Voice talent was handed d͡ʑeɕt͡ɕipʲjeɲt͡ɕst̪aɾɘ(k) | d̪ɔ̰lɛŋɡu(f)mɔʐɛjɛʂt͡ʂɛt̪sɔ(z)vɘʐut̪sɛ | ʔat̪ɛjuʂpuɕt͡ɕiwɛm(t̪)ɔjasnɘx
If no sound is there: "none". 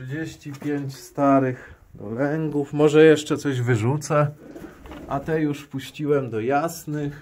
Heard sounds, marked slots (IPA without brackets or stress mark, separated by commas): x, f, ʑ, d̪